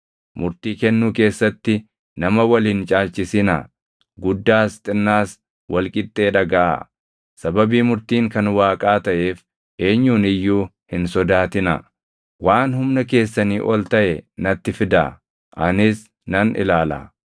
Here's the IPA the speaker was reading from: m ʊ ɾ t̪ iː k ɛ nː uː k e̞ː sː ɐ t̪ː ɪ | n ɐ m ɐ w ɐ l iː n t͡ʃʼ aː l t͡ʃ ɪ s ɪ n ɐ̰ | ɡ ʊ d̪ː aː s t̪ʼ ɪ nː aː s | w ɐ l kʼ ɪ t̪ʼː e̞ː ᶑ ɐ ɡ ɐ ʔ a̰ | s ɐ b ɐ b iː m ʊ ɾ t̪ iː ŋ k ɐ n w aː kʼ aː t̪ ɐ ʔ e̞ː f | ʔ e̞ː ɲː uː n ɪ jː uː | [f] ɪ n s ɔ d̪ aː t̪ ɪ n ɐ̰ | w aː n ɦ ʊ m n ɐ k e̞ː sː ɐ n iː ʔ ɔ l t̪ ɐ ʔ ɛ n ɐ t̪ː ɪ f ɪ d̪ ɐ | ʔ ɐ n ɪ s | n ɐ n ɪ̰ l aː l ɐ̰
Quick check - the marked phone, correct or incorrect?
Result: incorrect: h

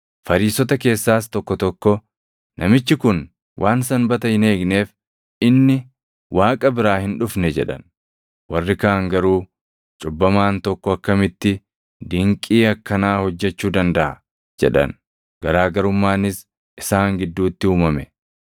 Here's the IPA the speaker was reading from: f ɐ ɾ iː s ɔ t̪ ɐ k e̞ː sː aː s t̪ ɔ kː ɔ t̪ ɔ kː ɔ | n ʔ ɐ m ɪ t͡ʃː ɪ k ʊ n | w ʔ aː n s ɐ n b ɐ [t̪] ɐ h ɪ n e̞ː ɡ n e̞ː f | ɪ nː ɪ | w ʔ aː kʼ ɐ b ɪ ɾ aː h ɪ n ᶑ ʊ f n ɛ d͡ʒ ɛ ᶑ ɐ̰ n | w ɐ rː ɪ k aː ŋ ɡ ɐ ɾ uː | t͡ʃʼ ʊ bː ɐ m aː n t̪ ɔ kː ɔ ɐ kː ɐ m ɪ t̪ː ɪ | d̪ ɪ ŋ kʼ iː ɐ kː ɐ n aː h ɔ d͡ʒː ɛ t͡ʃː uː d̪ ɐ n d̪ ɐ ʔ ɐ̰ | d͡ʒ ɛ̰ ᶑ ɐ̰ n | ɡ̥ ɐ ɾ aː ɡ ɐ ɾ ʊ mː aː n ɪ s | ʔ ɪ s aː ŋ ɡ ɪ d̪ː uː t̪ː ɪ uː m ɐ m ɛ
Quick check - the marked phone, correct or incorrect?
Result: correct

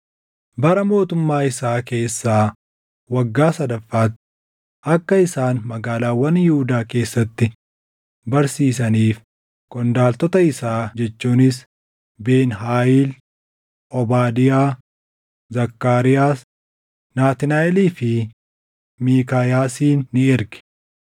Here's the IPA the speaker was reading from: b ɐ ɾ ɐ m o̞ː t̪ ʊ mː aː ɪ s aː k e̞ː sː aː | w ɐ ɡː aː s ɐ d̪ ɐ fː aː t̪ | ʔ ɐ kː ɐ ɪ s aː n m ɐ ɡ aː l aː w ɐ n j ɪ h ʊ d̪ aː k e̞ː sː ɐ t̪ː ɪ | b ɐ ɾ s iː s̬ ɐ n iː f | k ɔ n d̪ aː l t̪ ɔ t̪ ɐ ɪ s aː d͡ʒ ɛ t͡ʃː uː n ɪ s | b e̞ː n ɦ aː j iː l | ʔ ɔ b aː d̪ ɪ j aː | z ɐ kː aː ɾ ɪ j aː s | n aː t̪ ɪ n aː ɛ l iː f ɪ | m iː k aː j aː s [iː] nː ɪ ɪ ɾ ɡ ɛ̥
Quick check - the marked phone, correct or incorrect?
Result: correct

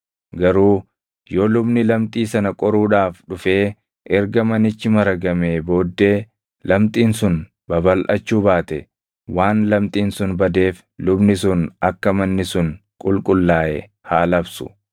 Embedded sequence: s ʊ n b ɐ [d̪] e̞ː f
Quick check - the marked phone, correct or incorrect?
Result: correct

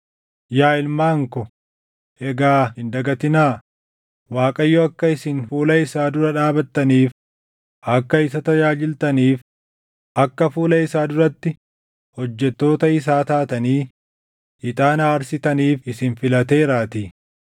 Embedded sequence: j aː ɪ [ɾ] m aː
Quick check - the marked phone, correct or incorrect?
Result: incorrect: l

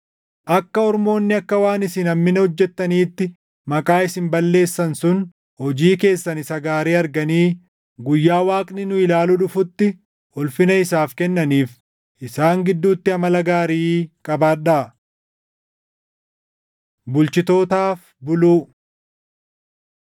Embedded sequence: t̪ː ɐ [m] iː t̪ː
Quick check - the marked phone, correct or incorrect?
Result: incorrect: n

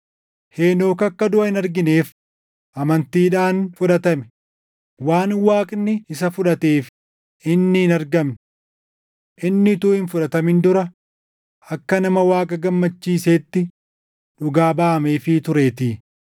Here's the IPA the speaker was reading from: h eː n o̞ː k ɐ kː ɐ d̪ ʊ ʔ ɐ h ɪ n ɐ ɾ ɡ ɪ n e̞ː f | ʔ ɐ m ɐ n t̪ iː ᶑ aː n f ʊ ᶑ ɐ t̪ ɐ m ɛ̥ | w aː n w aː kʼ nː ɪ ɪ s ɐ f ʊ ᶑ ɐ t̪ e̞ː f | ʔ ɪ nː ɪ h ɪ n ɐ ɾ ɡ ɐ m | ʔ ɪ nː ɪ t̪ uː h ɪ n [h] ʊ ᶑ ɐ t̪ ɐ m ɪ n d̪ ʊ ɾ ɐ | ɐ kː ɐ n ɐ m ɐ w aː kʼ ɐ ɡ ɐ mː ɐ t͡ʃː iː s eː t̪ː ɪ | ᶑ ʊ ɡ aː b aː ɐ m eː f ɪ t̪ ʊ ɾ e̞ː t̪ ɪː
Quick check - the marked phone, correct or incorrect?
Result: incorrect: f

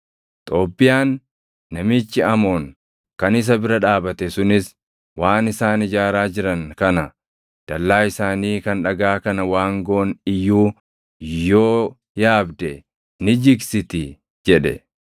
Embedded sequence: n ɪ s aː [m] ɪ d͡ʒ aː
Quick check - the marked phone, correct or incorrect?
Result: incorrect: n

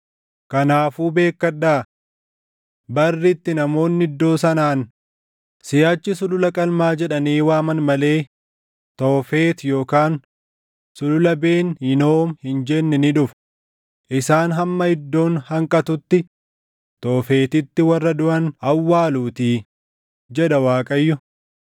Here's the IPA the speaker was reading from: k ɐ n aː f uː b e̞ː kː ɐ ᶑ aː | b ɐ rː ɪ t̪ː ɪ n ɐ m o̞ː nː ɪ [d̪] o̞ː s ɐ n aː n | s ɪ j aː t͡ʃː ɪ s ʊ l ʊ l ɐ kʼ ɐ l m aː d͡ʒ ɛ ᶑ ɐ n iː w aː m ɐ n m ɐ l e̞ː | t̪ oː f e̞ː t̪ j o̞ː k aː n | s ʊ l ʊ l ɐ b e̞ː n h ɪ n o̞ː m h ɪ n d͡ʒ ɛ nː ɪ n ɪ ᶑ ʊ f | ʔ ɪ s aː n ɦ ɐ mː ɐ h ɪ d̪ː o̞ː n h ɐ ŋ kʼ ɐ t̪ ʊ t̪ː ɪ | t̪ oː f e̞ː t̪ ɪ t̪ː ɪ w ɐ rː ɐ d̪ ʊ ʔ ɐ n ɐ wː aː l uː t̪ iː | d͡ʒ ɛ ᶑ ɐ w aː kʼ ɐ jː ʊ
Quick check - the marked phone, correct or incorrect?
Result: incorrect: d̪ː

